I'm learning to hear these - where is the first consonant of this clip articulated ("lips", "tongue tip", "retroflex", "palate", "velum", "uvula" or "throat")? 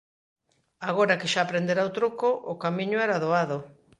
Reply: velum